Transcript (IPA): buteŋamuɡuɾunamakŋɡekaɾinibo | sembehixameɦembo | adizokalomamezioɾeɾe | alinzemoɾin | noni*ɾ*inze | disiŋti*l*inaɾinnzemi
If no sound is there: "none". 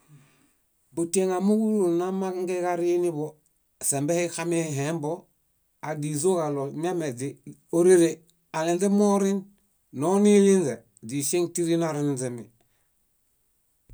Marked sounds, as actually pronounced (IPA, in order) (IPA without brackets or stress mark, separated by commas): l, ɾ